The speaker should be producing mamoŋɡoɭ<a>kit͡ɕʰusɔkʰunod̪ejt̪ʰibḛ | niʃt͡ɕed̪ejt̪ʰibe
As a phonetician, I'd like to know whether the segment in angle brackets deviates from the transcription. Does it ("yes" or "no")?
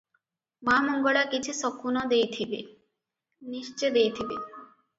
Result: no